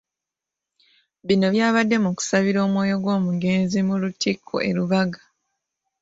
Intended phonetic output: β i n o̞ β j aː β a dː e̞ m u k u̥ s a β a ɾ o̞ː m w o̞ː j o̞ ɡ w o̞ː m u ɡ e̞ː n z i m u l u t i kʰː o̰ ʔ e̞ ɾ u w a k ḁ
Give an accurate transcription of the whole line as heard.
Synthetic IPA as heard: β i n o̞ β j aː β a dː e̞ m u k u̥ s a β i ɾ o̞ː m w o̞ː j o̞ ɡ w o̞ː m u ɡ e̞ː n z i m u l u t i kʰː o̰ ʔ e̞ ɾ u β a ɡ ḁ